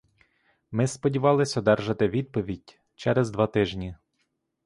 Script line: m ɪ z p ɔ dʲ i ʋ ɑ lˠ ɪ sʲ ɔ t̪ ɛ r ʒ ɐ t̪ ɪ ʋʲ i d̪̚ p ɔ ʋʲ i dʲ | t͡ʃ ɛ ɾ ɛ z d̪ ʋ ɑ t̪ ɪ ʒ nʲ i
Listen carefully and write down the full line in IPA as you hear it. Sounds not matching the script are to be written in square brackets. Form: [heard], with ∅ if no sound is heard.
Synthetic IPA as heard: m ɪ [s] p ɔ dʲ i ʋ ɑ lˠ ɪ sʲ ɔ [d̪] ɛ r ʒ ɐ t̪ ɪ ʋʲ i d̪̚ p ɔ ʋʲ i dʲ | t͡ʃ ɛ ɾ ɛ z d̪ ʋ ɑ t̪ ɪ ʒ nʲ i

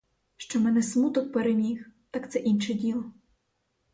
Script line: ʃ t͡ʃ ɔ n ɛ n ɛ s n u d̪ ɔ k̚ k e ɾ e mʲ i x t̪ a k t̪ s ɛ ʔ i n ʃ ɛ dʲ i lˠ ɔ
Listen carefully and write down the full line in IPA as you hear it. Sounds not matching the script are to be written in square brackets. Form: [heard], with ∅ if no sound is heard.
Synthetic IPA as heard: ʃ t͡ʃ ɔ [m] ɛ n ɛ s [m] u [t̪] ɔ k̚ [p] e ɾ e mʲ i x t̪ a k t̪ s ɛ ʔ i n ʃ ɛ dʲ i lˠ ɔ

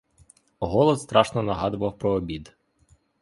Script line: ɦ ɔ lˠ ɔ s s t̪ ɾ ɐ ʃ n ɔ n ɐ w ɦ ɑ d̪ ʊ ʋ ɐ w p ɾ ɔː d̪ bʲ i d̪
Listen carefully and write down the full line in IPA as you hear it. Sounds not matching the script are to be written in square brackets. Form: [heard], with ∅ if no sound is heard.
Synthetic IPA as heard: ɦ ɔ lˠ ɔ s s t̪ ɾ [ɑ] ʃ n ɔ n ɐ [∅] ɦ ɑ d̪ ʊ ʋ ɐ w p ɾ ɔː [∅] bʲ i d̪

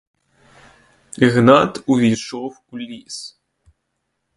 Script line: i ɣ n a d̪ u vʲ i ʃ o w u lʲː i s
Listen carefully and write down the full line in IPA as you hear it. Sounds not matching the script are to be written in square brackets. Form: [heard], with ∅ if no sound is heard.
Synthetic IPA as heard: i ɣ n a [t̪] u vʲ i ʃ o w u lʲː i s

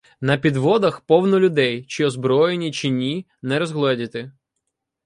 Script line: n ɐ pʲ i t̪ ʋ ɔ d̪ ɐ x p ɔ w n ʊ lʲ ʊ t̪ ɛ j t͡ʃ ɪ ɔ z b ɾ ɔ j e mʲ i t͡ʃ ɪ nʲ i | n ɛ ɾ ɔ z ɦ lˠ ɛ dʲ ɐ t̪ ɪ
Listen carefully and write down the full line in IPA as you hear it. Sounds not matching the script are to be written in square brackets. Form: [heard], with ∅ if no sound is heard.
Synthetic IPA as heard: n ɐ pʲ i [d̪] ʋ ɔ d̪ ɐ x p ɔ w n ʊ lʲ ʊ [d̪] ɛ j t͡ʃ ɪ ɔ z b ɾ ɔ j e [nʲ] i t͡ʃ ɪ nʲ i | n ɛ ɾ ɔ z ɦ lˠ ɛ dʲ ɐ t̪ ɪ

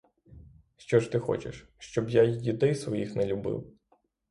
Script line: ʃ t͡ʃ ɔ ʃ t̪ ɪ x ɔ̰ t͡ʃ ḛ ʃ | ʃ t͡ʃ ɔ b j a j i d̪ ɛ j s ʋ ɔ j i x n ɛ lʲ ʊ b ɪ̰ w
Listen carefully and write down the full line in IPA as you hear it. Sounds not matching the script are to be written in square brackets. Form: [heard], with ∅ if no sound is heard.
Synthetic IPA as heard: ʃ t͡ʃ ɔ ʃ t̪ ɪ x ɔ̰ t͡ʃ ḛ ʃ | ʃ t͡ʃ ɔ b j a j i d̪ ɛ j s ʋ ɔ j i x n ɛ lʲ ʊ b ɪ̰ w

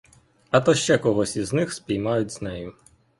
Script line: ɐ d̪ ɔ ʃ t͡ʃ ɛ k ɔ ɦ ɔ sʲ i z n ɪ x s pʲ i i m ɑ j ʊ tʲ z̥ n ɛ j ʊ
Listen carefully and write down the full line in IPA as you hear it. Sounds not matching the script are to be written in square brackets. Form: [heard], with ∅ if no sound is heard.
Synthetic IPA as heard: ɐ [t̪] ɔ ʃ t͡ʃ ɛ k ɔ ɦ ɔ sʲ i z n ɪ x s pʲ i [j] m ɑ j ʊ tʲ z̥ n ɛ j ʊ

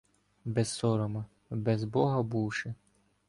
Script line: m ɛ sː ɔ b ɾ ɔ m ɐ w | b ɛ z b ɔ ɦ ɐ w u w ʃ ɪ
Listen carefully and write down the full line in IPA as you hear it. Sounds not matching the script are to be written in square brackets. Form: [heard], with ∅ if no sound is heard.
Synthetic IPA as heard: [b] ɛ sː ɔ [∅] ɾ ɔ m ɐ [∅] | b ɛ z b ɔ ɦ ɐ [b] u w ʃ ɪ

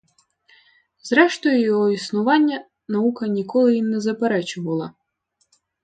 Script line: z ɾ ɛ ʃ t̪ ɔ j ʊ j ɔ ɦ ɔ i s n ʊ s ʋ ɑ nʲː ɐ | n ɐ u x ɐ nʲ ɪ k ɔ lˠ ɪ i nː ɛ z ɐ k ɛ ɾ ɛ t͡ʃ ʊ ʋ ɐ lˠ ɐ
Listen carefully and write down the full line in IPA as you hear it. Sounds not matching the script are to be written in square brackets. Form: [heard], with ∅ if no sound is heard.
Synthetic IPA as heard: z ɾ ɛ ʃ t̪ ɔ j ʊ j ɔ ɦ ɔ i s n ʊ [∅] ʋ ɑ nʲː ɐ | n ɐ u [k] ɐ nʲ [i] k ɔ lˠ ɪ i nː ɛ z ɐ [p] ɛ ɾ ɛ t͡ʃ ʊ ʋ ɐ lˠ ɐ

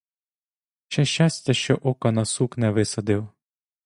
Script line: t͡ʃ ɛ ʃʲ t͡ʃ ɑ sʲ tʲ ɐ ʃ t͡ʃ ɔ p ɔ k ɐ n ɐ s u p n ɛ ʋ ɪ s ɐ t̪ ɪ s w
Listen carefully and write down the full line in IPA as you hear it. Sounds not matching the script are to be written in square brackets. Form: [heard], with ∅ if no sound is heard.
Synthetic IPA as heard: t͡ʃ ɛ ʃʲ t͡ʃ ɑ sʲ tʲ ɐ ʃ t͡ʃ ɔ [ʔ] ɔ k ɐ n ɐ s u [k] n ɛ ʋ ɪ s ɐ [d̪] ɪ [∅] w

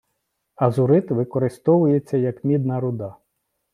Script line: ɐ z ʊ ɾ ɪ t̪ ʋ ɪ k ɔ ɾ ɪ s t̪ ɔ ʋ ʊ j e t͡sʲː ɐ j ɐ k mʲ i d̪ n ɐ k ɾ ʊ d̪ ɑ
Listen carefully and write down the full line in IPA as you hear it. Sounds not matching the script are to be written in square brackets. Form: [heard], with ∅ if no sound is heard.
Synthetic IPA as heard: ɐ z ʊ ɾ ɪ t̪ ʋ ɪ k ɔ ɾ ɪ s t̪ ɔ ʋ ʊ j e t͡sʲː ɐ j ɐ k mʲ i d̪ n ɐ [∅] ɾ ʊ d̪ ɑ

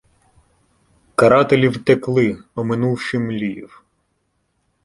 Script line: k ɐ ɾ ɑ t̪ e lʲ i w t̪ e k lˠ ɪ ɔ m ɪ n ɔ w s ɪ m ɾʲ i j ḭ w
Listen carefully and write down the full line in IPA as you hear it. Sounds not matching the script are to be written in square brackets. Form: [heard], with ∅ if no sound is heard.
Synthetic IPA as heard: k ɐ ɾ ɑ t̪ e lʲ i w t̪ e k lˠ ɪ ɔ m ɪ n [u] w [ʃ] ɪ m [lʲ] i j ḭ w

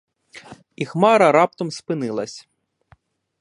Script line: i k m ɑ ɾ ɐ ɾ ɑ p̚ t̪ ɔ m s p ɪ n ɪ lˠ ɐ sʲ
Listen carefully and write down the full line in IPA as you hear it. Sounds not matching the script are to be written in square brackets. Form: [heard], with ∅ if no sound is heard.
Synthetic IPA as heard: i [x] m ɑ ɾ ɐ ɾ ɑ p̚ t̪ ɔ m s p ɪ n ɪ lˠ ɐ sʲ

